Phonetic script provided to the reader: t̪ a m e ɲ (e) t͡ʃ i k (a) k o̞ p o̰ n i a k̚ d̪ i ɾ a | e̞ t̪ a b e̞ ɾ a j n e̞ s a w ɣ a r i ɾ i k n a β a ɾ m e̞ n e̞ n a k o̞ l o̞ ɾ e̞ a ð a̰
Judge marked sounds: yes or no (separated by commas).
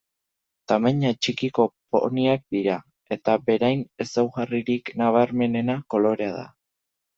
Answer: no, no